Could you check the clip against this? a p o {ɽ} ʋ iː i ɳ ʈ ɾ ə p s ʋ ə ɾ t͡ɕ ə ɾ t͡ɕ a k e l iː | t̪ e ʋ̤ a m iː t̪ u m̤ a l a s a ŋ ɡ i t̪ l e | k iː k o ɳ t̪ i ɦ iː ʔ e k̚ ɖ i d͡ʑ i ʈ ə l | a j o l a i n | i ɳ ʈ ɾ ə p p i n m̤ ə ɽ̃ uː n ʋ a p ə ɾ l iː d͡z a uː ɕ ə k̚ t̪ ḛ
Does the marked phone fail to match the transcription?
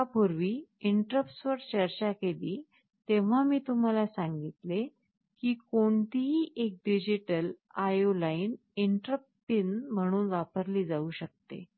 yes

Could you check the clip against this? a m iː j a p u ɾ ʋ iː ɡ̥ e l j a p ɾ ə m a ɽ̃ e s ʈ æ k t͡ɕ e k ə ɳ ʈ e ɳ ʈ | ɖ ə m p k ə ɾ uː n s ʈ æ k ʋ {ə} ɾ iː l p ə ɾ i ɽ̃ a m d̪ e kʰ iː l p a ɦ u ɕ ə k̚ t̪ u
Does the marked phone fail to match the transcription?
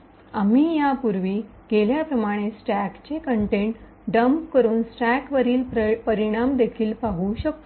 no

